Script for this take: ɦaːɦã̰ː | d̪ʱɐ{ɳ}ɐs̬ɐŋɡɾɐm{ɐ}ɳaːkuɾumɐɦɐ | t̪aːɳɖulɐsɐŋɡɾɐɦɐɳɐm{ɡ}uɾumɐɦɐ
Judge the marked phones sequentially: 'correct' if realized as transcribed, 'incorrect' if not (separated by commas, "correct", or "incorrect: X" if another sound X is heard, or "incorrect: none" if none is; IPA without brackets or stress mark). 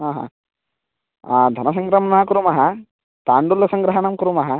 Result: incorrect: n, correct, incorrect: k